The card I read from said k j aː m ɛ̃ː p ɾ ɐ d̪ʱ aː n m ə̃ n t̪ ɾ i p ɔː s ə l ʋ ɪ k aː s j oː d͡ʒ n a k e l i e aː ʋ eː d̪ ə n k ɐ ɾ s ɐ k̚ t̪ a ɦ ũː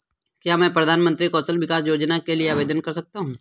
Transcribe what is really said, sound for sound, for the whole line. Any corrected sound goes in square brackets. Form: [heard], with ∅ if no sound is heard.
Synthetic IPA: k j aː m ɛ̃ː p ɾ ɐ d̪ʱ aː n m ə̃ n t̪ ɾ i [k] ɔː s ə l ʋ ɪ k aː s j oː d͡ʒ n a k e l i e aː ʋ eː d̪ ə n k ɐ ɾ s ɐ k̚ t̪ a ɦ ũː